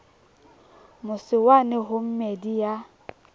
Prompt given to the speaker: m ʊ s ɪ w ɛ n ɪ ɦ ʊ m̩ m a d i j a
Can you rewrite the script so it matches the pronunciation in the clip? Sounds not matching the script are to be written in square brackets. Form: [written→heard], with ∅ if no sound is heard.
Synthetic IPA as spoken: m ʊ s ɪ w [ɛ→a] n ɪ ɦ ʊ m̩ m [a→e] d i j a